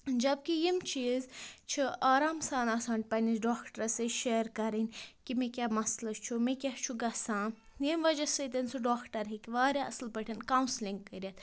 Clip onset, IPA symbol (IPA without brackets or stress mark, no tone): d͡ʒ